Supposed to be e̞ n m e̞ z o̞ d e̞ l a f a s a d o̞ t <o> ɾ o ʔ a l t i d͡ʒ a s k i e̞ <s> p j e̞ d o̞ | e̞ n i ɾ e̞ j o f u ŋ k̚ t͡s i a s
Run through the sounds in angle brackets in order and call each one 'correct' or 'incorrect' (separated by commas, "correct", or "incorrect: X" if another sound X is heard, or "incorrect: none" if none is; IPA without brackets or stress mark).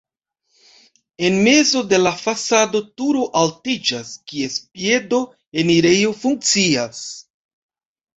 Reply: incorrect: u, correct